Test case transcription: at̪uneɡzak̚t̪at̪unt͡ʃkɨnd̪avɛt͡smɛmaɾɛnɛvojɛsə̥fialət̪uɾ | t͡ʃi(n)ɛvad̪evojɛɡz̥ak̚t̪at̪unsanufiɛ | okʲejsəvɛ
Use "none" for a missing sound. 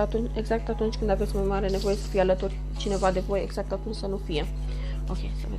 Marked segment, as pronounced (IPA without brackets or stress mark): n